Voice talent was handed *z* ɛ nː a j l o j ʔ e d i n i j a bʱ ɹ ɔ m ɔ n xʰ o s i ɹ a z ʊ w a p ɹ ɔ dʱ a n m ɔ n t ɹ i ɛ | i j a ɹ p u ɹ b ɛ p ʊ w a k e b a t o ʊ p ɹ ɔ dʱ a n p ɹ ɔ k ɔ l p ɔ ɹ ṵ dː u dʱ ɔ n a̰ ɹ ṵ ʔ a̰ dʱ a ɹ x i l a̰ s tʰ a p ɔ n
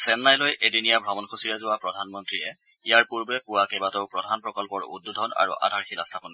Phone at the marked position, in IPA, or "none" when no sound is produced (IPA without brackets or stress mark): s